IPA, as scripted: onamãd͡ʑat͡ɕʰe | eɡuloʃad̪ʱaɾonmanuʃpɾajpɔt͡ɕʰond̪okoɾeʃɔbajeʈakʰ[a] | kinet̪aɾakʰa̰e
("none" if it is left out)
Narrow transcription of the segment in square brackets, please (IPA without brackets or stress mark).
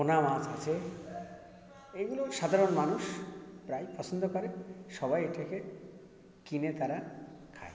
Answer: e